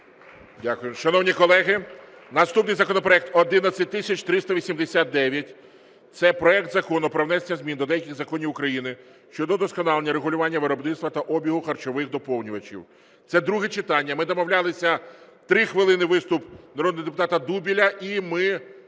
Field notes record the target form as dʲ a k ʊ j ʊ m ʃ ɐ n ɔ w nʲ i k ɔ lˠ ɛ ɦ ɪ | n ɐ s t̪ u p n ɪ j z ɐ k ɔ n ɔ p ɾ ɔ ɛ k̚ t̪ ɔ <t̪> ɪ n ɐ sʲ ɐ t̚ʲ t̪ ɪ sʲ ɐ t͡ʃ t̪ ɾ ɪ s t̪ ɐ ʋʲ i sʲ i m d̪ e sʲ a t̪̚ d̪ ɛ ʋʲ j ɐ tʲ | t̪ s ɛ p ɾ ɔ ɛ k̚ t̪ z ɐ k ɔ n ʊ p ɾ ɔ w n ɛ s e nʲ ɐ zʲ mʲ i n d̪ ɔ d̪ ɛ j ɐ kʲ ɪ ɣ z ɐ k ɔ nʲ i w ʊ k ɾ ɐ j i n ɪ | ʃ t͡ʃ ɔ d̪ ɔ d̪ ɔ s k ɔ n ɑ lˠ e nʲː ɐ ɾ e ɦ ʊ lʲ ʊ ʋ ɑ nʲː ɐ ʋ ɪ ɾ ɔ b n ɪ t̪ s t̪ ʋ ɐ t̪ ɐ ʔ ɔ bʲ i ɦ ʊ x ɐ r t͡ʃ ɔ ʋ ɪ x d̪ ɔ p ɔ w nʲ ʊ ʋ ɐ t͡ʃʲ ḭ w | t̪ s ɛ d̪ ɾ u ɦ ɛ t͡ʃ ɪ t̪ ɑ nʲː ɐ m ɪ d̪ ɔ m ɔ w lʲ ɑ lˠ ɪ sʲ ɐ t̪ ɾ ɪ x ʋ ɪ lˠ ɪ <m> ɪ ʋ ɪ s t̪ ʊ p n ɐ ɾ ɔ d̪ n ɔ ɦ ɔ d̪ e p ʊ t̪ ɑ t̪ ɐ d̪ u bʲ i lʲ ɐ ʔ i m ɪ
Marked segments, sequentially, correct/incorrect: incorrect, incorrect

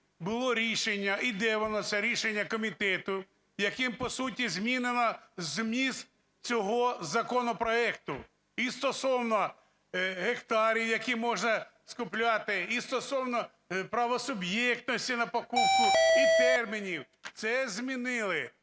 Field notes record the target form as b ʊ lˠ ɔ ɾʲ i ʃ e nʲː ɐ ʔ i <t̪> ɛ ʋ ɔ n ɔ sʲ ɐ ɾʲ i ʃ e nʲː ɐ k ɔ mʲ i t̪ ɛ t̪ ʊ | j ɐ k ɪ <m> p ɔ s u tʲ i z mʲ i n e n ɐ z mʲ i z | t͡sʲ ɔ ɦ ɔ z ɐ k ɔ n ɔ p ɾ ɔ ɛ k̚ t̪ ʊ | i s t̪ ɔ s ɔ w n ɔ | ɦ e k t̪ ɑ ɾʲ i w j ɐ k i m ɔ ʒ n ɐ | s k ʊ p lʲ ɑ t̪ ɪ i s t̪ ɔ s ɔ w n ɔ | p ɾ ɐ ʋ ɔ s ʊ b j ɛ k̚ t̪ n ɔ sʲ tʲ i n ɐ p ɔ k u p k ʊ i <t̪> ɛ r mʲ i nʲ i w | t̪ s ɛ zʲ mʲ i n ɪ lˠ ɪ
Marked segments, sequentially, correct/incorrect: incorrect, correct, correct

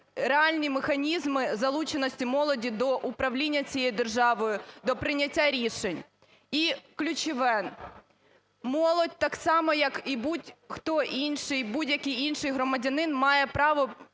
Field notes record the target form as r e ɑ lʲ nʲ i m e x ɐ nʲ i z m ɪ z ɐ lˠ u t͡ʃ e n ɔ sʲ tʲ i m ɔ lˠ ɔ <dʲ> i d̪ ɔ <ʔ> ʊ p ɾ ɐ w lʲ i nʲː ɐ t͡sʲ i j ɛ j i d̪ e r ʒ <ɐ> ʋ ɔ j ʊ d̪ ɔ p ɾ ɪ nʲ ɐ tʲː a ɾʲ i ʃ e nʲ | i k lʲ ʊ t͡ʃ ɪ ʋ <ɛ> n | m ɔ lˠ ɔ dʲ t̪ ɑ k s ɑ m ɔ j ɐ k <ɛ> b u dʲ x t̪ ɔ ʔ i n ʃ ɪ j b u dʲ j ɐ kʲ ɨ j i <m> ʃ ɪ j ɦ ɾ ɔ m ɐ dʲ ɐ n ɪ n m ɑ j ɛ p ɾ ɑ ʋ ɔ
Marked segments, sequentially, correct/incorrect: correct, correct, incorrect, correct, incorrect, incorrect

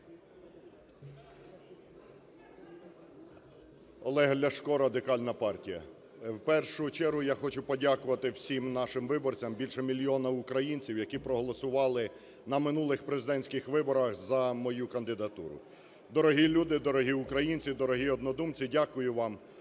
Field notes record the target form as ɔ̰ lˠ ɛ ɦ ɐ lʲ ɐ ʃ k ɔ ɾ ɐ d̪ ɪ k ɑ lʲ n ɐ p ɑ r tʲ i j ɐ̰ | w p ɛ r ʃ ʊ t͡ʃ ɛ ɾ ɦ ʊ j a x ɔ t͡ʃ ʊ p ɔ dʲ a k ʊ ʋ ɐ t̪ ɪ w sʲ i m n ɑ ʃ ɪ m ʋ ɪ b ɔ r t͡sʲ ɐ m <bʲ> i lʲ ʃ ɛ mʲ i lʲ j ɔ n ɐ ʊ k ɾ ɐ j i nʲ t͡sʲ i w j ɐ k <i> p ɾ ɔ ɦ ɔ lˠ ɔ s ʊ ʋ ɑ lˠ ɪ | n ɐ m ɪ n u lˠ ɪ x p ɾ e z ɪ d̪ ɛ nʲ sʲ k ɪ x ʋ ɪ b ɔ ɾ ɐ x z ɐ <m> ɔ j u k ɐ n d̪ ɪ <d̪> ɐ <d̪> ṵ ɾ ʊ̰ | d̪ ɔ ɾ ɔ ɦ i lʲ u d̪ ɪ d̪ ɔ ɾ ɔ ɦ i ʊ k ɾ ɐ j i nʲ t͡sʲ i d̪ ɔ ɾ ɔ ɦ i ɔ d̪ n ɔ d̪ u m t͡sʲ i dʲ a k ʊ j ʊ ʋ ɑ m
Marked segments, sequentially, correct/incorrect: correct, correct, correct, correct, incorrect

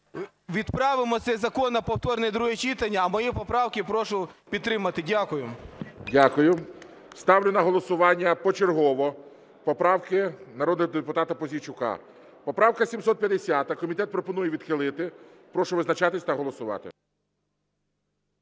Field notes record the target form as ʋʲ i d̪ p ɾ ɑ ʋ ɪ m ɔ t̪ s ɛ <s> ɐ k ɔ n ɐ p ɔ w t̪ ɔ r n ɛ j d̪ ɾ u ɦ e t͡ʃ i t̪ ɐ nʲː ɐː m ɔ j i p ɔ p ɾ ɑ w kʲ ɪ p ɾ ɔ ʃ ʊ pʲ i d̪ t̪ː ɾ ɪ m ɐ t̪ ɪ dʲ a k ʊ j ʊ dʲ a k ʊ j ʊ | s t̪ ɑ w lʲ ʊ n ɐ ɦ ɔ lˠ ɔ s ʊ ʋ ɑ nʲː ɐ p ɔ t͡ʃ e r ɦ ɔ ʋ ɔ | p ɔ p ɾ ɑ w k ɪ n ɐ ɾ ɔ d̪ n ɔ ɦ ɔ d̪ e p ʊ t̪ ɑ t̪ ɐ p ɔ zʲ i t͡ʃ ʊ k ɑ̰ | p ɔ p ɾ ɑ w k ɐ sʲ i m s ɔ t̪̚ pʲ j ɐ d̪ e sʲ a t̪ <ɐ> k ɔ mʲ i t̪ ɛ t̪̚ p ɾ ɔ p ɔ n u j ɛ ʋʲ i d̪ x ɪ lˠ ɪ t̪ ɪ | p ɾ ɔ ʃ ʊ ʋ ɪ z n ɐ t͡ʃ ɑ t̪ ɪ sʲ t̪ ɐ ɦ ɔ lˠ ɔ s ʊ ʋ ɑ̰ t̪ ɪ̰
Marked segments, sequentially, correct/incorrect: incorrect, correct

